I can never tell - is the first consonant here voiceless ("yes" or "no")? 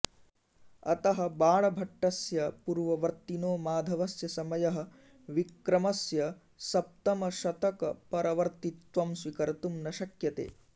yes